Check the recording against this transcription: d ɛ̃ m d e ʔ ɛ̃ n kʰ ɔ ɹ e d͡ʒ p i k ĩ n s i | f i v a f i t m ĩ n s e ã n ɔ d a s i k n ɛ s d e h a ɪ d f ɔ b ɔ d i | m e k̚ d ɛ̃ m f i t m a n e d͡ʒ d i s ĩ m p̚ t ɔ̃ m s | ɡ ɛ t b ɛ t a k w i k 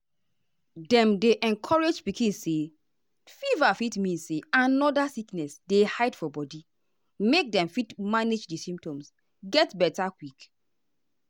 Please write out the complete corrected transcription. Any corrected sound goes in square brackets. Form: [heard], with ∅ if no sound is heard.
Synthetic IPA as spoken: d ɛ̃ m d e ʔ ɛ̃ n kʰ ɔ ɹ e d͡ʒ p i k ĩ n s [e] | f i v a f i t m ĩ n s e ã n ɔ d a s i k n ɛ s d e h a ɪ d f ɔ b ɔ d i | m e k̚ d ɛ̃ m f i t m a n e d͡ʒ d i s ĩ m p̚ t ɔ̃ m s | ɡ ɛ t b ɛ t a k w i k